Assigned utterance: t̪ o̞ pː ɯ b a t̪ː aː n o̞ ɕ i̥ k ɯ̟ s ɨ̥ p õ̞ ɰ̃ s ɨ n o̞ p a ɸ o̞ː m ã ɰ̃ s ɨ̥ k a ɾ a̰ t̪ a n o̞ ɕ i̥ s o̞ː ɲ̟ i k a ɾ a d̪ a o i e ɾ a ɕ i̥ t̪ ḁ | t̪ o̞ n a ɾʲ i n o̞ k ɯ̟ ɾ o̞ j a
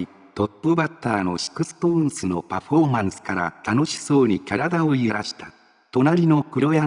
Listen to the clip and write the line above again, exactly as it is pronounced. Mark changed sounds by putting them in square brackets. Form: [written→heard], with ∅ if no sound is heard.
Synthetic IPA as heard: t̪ o̞ pː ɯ b a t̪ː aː n o̞ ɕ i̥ k ɯ̟ s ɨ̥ p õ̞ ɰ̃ s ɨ n o̞ p a ɸ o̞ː m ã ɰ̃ s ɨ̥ k a ɾ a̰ t̪ a n o̞ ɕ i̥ s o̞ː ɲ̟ i k a ɾ a d̪ a o i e ɾ a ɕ i̥ t̪ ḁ | t̪ o̞ n a ɾʲ i n o̞ k ɯ̟ ɾ o̞ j a

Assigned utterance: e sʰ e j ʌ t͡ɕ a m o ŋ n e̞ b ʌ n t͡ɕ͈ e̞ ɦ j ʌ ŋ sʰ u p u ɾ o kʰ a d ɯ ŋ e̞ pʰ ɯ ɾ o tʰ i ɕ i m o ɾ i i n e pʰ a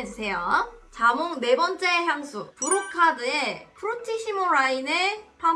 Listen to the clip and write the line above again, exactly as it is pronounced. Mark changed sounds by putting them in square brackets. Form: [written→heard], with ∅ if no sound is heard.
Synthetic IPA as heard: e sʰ e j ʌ t͡ɕ a m o ŋ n e̞ b ʌ n t͡ɕ͈ e̞ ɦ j [ʌ→a] ŋ sʰ u p u ɾ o kʰ a d ɯ [ŋ→∅] e̞ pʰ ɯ ɾ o tʰ i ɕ i m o ɾ [i→a] i n e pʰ a

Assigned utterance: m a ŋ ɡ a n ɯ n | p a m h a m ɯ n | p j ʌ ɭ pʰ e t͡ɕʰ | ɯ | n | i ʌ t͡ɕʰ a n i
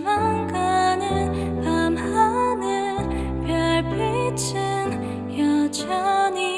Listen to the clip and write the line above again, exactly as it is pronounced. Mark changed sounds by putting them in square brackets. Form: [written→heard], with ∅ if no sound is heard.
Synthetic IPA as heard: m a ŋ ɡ a n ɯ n | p a m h a [m→n] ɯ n | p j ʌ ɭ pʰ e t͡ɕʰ | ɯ | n | [i→j] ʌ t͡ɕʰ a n i

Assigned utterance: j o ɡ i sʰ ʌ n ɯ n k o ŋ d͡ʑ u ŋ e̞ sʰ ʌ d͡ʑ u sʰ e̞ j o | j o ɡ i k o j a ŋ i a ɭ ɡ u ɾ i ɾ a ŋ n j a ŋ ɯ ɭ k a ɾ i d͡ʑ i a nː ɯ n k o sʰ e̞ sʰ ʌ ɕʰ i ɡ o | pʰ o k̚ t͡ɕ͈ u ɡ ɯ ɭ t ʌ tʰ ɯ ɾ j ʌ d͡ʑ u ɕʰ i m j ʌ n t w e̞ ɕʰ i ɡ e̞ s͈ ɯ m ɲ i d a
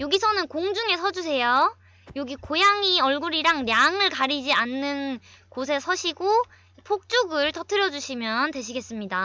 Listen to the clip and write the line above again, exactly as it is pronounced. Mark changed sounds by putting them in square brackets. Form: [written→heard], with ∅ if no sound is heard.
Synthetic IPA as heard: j o ɡ i sʰ ʌ n ɯ n k o ŋ d͡ʑ u ŋ e̞ sʰ ʌ d͡ʑ u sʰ e̞ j o | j o ɡ i k o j a ŋ i [a→ʌ] ɭ ɡ u ɾ i ɾ a ŋ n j a ŋ ɯ ɭ k a ɾ i d͡ʑ i a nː ɯ n k o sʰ e̞ sʰ ʌ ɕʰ i ɡ o | pʰ o k̚ t͡ɕ͈ u ɡ ɯ ɭ t ʌ tʰ ɯ ɾ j ʌ d͡ʑ u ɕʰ i m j ʌ n t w e̞ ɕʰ i ɡ e̞ s͈ ɯ m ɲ i d a

